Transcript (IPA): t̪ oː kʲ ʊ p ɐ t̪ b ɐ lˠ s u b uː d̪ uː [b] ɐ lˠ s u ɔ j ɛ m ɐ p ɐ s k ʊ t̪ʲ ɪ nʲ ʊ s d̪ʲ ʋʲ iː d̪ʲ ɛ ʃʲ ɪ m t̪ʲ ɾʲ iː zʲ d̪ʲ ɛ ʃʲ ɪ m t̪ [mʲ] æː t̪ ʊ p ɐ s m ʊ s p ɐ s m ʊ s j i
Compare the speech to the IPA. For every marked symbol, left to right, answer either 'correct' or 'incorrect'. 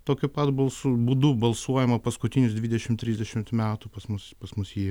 correct, correct

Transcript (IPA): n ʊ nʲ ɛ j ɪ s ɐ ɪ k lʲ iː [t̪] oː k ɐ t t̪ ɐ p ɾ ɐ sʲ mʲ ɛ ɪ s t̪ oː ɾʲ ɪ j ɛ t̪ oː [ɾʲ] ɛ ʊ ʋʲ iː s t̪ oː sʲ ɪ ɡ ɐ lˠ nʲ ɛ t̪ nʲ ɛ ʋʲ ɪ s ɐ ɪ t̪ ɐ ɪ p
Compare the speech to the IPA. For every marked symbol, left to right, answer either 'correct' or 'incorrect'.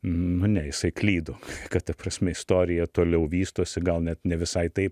incorrect: d̪, incorrect: lʲ

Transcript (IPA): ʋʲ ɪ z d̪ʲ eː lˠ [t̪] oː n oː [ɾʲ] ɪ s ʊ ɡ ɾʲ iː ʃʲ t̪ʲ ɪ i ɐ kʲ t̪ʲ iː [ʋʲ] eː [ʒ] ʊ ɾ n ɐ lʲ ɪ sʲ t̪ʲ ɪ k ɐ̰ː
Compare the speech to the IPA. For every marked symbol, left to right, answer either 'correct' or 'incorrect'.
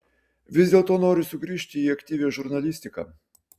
correct, correct, correct, correct

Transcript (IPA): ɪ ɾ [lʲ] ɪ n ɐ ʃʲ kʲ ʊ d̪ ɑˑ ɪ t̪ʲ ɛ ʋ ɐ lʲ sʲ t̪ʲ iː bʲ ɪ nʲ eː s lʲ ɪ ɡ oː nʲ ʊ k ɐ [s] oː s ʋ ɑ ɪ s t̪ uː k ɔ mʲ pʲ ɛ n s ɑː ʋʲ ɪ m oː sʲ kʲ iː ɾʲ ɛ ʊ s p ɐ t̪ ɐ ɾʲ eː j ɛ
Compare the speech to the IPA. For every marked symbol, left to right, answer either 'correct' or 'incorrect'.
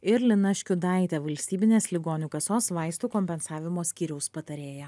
correct, correct

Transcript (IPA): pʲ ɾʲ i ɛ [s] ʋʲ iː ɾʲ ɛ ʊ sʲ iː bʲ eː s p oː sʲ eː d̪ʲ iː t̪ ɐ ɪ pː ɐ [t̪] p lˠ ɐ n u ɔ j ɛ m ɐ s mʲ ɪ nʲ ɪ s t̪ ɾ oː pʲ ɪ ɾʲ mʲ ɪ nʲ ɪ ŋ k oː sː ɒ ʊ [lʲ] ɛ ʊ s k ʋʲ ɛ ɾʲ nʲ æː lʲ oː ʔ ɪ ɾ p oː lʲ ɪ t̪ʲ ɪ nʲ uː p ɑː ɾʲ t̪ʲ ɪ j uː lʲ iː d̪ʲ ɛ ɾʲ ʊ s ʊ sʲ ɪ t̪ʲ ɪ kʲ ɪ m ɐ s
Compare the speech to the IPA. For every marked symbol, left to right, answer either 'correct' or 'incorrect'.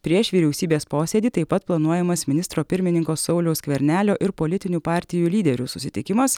incorrect: ʃ, correct, correct

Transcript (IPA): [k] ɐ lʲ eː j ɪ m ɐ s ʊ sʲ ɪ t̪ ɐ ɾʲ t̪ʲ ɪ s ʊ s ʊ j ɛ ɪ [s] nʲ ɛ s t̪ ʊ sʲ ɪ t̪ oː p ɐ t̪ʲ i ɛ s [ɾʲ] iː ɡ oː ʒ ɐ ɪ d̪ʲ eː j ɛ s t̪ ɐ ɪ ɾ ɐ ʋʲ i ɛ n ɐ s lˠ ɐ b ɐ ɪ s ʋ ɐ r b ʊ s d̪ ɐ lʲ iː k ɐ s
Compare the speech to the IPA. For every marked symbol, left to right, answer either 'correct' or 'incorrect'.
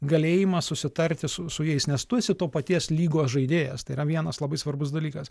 incorrect: ɡ, correct, incorrect: lʲ

